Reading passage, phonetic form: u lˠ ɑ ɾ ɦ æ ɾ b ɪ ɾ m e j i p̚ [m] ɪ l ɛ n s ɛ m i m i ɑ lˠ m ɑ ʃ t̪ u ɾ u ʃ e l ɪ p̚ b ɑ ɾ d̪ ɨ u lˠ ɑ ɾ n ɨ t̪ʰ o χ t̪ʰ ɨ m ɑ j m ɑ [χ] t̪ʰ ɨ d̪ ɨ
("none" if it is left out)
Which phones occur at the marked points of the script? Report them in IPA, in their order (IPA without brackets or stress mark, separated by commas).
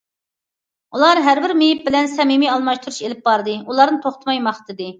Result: b, χ